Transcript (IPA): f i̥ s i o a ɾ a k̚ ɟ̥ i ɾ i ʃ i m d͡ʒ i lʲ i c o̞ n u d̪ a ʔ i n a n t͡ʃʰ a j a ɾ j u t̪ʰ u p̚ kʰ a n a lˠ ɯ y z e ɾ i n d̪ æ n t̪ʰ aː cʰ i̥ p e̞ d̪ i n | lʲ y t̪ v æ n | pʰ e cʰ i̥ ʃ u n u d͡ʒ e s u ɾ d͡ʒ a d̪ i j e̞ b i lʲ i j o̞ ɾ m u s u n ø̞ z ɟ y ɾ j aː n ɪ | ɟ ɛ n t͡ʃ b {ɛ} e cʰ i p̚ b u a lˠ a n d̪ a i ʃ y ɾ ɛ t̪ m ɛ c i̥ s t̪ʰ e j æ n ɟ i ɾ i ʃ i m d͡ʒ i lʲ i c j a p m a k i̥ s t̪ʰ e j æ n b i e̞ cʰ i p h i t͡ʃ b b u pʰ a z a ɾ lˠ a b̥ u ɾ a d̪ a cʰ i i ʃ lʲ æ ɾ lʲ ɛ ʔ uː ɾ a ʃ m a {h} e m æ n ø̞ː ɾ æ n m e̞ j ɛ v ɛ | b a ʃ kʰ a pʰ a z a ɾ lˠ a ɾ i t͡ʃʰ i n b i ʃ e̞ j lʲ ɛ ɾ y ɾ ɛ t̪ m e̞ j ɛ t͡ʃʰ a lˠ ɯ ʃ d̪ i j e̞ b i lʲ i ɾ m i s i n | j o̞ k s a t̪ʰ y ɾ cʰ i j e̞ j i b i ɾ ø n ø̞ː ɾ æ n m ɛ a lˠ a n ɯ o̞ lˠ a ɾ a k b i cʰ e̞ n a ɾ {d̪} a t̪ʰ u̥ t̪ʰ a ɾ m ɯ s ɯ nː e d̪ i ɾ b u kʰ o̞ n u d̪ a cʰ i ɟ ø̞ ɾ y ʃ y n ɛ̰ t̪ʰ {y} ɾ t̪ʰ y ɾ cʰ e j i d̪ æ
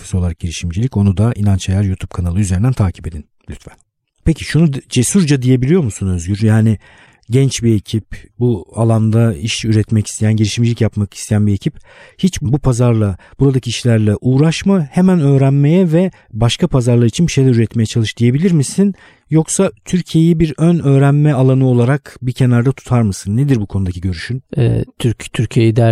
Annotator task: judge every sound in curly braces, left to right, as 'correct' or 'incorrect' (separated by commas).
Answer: incorrect, correct, correct, correct